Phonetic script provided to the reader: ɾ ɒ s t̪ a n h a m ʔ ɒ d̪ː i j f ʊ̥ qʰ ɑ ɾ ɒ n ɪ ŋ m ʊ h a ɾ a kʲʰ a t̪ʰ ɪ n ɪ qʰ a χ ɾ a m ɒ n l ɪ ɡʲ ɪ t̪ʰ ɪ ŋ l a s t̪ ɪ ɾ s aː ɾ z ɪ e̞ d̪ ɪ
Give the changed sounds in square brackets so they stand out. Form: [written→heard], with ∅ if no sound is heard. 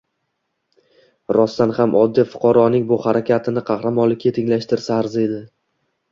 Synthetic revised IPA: ɾ ɒ s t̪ a n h a m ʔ ɒ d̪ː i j f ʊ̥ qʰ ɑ ɾ ɒ n ɪ ŋ [m→b] ʊ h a ɾ a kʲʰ a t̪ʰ ɪ n ɪ qʰ [a→ɑ] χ ɾ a m ɒ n l ɪ [ɡʲ→kʲ] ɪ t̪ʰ ɪ ŋ l a [s→ʃ] t̪ ɪ ɾ s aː ɾ z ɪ e̞ d̪ ɪ